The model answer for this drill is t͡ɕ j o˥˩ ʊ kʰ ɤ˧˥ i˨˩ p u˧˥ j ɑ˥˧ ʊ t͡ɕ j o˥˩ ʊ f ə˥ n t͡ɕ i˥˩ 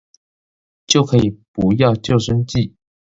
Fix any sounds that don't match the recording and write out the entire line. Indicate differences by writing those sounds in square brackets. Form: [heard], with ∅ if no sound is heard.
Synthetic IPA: t͡ɕ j o˥˩ ʊ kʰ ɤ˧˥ i˨˩ p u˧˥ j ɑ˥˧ ʊ t͡ɕ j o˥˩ ʊ [ʂ] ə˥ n t͡ɕ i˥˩